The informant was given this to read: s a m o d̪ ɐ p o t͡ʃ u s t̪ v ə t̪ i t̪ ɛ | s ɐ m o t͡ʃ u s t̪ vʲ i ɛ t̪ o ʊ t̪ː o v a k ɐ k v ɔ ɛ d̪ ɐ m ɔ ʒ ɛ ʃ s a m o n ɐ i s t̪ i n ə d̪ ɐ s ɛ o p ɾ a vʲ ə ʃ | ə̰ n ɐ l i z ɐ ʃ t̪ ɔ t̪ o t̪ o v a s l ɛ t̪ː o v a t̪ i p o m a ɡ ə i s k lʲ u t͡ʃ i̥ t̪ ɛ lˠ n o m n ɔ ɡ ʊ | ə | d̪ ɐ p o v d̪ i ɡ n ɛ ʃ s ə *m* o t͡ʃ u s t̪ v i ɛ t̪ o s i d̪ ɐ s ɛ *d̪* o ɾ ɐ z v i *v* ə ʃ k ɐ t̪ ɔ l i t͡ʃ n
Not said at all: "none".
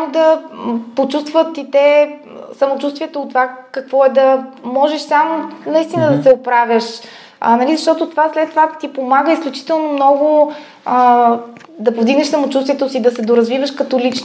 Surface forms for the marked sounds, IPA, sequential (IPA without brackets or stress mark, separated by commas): m, d̪, v